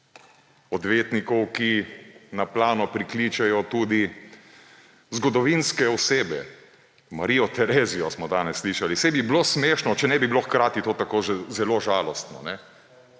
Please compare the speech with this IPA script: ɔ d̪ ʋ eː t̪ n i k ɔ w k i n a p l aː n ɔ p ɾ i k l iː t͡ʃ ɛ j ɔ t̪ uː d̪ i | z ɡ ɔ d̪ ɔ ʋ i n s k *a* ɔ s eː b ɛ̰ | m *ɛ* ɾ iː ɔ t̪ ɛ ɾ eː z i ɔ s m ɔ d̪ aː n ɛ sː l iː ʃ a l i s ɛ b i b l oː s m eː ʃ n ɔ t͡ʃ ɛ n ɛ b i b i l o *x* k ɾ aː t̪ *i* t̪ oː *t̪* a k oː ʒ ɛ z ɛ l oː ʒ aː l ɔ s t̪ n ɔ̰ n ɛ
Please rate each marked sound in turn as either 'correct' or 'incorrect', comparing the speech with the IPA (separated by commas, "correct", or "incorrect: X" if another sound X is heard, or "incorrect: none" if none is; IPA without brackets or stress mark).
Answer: incorrect: ɛ, incorrect: a, correct, correct, correct